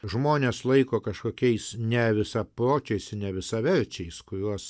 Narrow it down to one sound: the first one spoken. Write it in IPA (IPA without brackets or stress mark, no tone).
ʒ